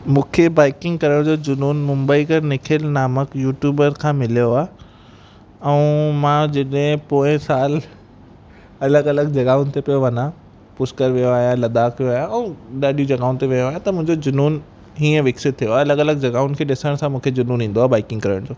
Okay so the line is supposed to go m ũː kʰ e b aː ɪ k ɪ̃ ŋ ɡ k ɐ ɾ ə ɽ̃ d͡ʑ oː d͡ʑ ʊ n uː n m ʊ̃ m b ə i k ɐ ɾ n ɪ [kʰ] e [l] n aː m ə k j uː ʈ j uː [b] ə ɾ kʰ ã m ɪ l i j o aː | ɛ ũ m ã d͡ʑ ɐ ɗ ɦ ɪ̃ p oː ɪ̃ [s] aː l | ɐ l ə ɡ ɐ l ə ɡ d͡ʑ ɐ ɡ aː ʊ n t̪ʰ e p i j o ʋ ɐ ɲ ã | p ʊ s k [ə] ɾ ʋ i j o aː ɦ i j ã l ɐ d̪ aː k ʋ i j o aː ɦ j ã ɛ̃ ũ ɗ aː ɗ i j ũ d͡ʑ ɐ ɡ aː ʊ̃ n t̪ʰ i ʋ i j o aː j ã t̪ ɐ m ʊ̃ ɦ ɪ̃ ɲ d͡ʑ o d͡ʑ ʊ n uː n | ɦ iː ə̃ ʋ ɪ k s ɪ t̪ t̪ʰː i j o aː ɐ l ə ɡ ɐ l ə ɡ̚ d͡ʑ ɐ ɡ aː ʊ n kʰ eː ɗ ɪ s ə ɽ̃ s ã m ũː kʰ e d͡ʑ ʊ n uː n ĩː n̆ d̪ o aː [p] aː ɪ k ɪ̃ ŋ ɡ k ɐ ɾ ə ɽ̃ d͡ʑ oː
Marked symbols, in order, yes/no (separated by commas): yes, yes, yes, yes, yes, no